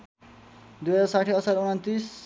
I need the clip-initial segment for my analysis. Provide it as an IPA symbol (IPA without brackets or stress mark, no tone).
d̪